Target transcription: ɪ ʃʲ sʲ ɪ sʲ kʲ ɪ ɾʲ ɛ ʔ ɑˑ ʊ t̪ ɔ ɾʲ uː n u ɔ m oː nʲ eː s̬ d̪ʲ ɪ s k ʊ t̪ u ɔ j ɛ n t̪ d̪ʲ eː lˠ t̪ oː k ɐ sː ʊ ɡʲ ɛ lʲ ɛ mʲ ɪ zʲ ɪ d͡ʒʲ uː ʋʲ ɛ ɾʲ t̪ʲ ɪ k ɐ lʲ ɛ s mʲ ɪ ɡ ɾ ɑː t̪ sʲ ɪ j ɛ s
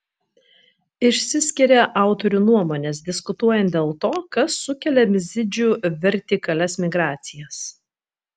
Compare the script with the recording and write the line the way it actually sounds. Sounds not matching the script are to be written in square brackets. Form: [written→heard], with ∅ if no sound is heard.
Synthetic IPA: ɪ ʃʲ sʲ ɪ sʲ kʲ ɪ ɾʲ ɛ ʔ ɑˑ ʊ t̪ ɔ ɾʲ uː n u ɔ m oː nʲ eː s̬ d̪ʲ ɪ s k ʊ t̪ u ɔ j ɛ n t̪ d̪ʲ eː lˠ t̪ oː k ɐ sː ʊ [ɡʲ→kʲ] ɛ lʲ ɛ mʲ ɪ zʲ ɪ d͡ʒʲ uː ʋʲ ɛ ɾʲ t̪ʲ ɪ k ɐ lʲ ɛ s mʲ ɪ ɡ ɾ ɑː t̪ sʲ ɪ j ɛ s